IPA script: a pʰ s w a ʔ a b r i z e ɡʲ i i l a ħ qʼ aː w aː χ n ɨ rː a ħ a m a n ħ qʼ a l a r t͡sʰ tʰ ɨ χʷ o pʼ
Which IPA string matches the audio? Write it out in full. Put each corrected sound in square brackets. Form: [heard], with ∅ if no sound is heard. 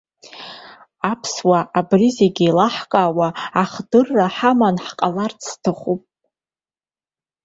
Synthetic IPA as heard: a pʰ s w a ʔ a b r i z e ɡʲ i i l a ħ [kʼ] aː w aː χ [d] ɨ rː a ħ a m a n ħ qʼ a l a r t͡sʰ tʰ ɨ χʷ [u] pʼ